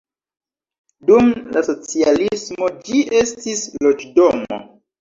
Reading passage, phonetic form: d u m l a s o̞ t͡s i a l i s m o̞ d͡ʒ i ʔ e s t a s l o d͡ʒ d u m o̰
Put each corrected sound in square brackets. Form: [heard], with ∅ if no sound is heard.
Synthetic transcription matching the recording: d u m l a s o̞ t͡s i a l i s m o̞ d͡ʒ i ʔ e s t [i] s l o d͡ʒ d [o] m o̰